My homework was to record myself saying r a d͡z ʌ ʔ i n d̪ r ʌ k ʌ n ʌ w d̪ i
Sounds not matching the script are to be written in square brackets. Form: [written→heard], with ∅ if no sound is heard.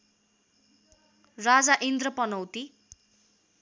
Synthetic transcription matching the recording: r a d͡z [ʌ→a] ʔ i n d̪ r ʌ [k→p] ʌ n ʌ w [d̪→t̪] i